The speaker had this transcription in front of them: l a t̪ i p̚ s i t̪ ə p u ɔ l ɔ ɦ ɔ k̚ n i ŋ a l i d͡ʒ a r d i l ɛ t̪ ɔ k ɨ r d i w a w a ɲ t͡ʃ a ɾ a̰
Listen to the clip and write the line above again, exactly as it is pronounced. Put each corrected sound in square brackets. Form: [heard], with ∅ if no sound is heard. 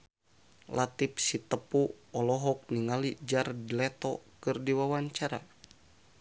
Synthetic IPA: l a t̪ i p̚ s i t̪ ə p u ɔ l ɔ ɦ ɔ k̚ n i ŋ a l i d͡ʒ a r d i l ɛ t̪ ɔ k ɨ r d i w a w a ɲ t͡ʃ a ɾ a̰

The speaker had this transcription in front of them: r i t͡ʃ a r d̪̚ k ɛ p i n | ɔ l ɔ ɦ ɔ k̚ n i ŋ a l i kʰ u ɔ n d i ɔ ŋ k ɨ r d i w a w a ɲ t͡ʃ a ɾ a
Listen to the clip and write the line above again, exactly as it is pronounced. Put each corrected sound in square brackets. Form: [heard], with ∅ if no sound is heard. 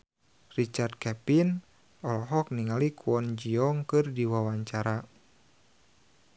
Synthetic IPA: r i t͡ʃ a r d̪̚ k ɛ p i n | ɔ l ɔ ɦ ɔ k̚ n i ŋ a l i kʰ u ɔ n [d͡ʒ] i ɔ ŋ k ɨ r d i w a w a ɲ t͡ʃ a ɾ a

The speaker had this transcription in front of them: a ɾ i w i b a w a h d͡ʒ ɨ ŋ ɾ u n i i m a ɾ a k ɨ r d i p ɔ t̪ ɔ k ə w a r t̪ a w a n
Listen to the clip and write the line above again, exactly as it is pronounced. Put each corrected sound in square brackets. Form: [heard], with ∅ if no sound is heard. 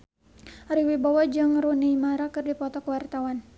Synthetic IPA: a ɾ i w i b a w a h d͡ʒ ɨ ŋ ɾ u n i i m a ɾ a k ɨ r d i p ɔ t̪ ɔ k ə w a r t̪ a w a n

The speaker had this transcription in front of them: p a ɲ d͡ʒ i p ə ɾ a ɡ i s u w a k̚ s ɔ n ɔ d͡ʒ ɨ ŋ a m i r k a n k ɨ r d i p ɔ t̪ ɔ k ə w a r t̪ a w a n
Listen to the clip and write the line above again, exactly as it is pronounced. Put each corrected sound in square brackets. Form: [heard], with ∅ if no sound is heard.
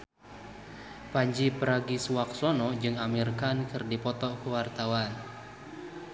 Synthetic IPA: p a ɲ d͡ʒ i p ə ɾ a ɡ i s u w a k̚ s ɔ n ɔ d͡ʒ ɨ ŋ a m i r k a n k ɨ r d i p ɔ t̪ ɔ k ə w a r t̪ a w a n

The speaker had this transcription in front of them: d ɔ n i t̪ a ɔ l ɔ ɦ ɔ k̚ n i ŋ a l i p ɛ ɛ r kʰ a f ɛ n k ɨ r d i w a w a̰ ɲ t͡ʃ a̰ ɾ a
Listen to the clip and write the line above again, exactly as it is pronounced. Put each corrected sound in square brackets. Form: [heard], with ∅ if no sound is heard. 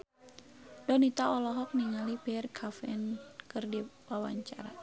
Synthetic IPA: d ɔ n i t̪ a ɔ l ɔ ɦ ɔ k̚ n i ŋ a l i p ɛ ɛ r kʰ a f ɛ n k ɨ r d i w a w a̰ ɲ t͡ʃ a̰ ɾ a

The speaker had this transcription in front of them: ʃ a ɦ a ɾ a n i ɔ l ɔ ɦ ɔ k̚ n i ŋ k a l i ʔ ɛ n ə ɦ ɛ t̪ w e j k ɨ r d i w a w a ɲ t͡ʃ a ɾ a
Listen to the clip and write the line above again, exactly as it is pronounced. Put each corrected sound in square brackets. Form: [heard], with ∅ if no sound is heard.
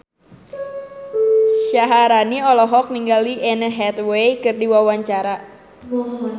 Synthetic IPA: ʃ a ɦ a ɾ a n i ɔ l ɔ ɦ ɔ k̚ n i ŋ [ɡ] a l i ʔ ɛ n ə ɦ ɛ t̪ w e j k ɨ r d i w a w a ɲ t͡ʃ a ɾ a

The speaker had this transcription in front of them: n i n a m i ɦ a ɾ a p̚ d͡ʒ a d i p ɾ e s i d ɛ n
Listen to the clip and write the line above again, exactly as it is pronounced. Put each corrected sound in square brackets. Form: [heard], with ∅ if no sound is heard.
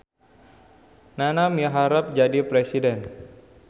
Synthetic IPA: n [a] n a m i ɦ a ɾ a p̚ d͡ʒ a d i p ɾ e s i d ɛ n

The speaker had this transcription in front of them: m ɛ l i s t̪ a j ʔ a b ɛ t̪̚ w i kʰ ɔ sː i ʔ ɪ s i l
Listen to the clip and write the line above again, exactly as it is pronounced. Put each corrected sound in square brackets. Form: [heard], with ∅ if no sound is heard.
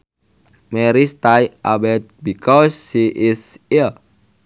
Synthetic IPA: m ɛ [ɾ] i s t̪ a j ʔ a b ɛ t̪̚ [b] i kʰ ɔ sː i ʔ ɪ s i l

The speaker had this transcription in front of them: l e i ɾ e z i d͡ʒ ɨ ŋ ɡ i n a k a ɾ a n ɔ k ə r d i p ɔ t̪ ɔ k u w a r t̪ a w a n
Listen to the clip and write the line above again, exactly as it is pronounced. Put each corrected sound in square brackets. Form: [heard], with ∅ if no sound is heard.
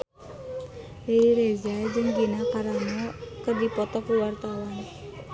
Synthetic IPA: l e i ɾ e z [a] d͡ʒ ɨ ŋ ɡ i n a k a ɾ a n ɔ k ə r d i p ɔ t̪ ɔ k u w a r t̪ a w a n

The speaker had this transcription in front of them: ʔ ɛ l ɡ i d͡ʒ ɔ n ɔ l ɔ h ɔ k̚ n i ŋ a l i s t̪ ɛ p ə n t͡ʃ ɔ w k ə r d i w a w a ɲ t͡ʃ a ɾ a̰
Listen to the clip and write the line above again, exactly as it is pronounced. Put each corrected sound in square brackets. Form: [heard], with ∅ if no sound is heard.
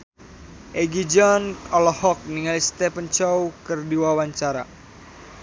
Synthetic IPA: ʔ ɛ [∅] ɡ i d͡ʒ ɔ n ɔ l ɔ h ɔ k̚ n i ŋ a l i s t̪ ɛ p ə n t͡ʃ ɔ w k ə r d i w a w a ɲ t͡ʃ a ɾ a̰

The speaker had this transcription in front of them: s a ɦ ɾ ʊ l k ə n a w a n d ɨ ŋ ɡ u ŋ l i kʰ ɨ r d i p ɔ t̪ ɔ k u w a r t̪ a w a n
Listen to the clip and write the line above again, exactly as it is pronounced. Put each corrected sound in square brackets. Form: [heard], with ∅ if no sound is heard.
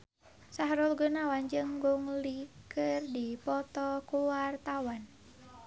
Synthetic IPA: s a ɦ ɾ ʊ l [ɡ] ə n a w a n [d͡ʒ] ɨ ŋ ɡ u ŋ l i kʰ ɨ r d i p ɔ t̪ ɔ k u w a r t̪ a w a n

